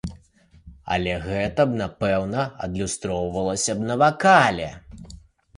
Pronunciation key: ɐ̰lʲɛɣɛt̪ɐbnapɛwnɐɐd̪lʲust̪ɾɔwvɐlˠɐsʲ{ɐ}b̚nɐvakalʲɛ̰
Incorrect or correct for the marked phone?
correct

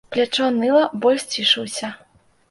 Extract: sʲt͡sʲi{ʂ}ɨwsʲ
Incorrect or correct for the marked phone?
correct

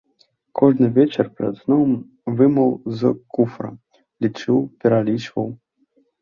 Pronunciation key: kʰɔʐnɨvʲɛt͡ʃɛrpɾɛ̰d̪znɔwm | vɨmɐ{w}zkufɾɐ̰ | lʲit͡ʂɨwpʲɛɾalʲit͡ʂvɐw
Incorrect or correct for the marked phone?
correct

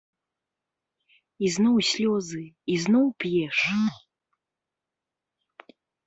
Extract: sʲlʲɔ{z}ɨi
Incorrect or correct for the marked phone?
correct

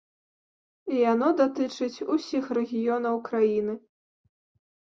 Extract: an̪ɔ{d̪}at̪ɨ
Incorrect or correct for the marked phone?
correct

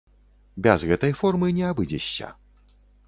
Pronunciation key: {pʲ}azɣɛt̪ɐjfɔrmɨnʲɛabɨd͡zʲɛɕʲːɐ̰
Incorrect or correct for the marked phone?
incorrect: bʲ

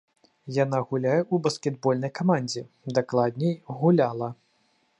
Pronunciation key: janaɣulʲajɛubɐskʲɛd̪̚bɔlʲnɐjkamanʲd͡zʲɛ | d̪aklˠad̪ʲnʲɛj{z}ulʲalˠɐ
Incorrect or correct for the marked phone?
incorrect: ɣ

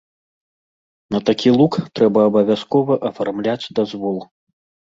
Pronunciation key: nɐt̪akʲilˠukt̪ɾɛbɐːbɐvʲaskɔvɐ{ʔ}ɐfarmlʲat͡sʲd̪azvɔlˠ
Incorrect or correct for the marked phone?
correct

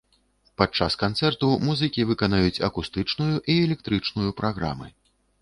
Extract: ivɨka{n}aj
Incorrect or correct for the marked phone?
correct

